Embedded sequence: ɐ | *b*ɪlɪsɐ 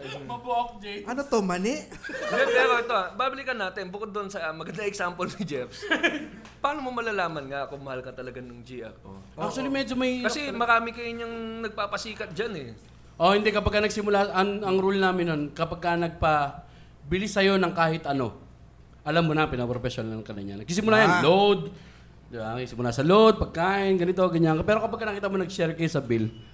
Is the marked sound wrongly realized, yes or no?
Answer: no